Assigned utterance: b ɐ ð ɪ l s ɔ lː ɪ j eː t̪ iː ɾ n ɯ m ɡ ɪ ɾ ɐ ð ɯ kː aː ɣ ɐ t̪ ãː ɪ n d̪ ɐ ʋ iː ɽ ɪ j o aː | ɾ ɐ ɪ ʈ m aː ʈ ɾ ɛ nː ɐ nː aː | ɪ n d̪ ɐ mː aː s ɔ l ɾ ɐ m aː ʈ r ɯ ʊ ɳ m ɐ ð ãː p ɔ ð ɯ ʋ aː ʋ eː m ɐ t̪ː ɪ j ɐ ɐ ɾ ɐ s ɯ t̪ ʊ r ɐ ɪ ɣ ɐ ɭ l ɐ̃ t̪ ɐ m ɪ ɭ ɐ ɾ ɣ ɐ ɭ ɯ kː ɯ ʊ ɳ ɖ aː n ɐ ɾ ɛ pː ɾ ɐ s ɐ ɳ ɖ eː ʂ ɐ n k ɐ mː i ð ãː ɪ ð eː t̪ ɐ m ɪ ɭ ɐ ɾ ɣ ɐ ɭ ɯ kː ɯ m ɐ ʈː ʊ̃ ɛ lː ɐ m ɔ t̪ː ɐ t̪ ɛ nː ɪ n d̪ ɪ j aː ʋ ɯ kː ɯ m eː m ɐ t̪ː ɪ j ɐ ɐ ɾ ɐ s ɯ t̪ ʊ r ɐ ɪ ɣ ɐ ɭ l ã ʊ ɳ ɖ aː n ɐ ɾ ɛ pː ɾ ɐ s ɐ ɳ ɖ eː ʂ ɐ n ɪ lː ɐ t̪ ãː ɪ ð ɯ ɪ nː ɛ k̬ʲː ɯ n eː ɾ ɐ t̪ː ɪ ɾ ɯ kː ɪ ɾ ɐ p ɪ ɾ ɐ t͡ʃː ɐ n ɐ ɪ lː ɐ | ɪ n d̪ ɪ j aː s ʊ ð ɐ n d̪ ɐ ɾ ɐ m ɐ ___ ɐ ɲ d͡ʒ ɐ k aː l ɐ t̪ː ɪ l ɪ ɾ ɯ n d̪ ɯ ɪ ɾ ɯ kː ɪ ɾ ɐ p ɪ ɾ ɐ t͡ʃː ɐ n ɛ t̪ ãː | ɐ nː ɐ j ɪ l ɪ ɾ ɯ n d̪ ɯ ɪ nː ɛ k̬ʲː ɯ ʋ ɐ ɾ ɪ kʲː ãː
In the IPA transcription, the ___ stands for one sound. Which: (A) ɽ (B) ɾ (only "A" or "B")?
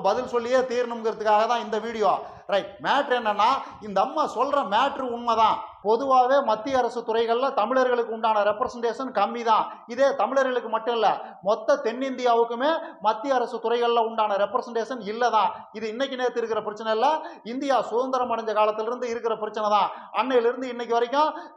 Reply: A